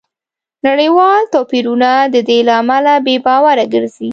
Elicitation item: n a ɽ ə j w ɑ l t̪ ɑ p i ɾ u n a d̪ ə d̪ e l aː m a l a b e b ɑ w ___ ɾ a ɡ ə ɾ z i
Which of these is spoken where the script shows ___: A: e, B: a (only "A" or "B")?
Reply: B